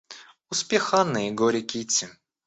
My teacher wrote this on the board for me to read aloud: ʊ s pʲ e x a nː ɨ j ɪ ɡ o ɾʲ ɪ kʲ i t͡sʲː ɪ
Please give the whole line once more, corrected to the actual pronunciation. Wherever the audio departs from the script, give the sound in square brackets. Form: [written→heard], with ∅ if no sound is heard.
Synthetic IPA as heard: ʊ s pʲ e x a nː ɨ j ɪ ɡ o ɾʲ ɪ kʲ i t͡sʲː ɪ